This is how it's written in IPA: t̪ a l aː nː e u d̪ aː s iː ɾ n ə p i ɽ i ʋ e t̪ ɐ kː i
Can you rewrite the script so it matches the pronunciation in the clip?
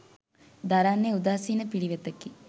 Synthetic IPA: d̪ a ɾ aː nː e u d̪ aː s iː n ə p i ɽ i ʋ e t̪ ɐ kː i